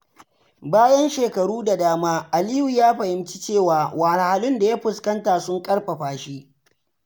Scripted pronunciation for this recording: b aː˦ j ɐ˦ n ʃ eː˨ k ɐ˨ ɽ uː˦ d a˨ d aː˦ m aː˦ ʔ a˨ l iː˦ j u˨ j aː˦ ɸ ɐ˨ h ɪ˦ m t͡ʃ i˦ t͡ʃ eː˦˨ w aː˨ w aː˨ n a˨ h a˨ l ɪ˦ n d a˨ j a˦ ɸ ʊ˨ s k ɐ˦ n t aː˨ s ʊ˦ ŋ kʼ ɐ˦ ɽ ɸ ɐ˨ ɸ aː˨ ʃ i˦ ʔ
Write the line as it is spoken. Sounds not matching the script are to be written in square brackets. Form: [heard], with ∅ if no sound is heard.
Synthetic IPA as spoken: b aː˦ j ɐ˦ n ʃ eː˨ k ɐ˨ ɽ uː˦ d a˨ d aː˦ m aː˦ ʔ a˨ l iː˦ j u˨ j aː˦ ɸ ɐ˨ h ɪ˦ m t͡ʃ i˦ t͡ʃ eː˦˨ w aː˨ w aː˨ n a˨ h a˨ l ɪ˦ n d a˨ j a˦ ɸ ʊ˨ s k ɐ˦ n t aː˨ s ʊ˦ ŋ kʼ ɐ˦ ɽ ɸ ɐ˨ ɸ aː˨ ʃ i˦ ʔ